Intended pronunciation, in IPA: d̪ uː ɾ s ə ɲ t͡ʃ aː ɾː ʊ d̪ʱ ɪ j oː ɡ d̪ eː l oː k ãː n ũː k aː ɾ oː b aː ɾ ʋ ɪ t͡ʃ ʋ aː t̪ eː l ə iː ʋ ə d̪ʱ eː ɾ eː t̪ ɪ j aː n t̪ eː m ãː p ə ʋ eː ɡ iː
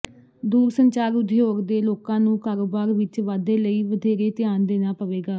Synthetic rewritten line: d̪ uː ɾ s ə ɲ t͡ʃ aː ɾ ʊ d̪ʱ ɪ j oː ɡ d̪ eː l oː k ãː n ũː k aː ɾ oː b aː ɾ ʋ ɪ t͡ʃ ʋ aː d̪ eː l ə iː ʋ ə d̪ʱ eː ɾ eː t̪ ɪ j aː n d̪ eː n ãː p ə ʋ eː ɡ aː